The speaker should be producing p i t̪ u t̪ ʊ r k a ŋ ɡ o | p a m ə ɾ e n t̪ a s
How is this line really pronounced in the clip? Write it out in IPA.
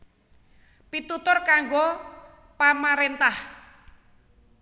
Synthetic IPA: p i t̪ u t̪ ʊ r k a ŋ ɡ o | p a m a ɾ e n t̪ a h